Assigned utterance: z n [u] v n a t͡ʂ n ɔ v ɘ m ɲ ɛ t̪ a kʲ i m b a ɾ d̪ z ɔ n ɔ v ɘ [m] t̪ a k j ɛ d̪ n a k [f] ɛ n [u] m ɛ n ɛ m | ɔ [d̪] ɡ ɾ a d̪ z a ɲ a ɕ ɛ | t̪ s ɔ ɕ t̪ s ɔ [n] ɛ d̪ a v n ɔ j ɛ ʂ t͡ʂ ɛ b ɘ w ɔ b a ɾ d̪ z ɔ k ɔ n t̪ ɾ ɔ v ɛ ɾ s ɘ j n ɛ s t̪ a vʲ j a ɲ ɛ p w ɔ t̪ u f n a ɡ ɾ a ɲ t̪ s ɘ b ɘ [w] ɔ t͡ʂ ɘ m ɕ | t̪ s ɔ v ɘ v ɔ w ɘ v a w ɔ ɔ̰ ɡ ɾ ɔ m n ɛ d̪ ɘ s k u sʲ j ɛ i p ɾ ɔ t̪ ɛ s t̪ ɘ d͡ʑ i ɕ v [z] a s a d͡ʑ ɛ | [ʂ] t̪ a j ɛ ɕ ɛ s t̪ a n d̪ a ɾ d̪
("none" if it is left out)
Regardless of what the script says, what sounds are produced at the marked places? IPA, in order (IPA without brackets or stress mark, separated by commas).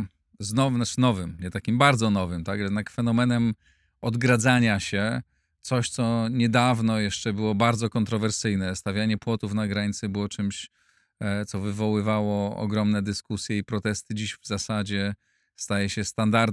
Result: ɔ, m, f, ɔ, d̪, ɲ, w, z, s